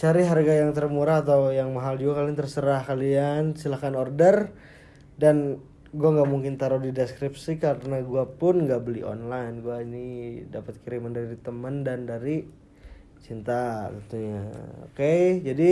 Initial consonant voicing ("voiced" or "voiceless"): voiceless